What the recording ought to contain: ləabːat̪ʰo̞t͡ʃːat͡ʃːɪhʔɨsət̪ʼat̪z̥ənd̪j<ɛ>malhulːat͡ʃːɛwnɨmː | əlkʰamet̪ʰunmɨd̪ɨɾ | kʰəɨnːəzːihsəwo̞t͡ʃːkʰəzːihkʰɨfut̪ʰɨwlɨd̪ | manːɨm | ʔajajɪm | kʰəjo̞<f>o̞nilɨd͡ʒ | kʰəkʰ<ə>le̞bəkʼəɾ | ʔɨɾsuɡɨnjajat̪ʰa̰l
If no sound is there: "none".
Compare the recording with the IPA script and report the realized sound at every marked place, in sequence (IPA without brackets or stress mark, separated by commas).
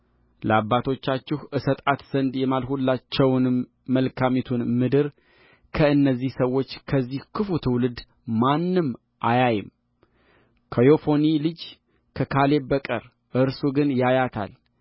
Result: ɛ, f, a